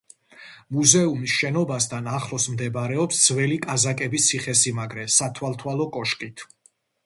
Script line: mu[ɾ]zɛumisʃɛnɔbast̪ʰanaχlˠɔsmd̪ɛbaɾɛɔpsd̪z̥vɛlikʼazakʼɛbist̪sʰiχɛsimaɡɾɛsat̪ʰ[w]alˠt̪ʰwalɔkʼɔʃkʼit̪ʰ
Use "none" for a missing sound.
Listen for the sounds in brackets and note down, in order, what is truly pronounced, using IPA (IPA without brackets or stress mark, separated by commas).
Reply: none, w